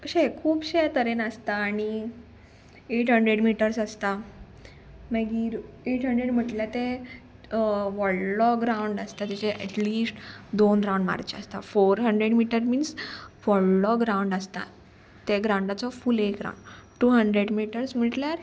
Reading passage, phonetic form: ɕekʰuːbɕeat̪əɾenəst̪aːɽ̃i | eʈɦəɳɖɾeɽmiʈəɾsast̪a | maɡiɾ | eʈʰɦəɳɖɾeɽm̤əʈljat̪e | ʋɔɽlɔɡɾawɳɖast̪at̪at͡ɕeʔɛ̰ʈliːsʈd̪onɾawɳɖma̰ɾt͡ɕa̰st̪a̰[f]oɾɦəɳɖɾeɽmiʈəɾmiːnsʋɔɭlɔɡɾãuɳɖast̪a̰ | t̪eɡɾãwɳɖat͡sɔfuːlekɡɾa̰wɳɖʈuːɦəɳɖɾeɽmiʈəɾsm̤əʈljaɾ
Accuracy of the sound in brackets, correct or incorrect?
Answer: correct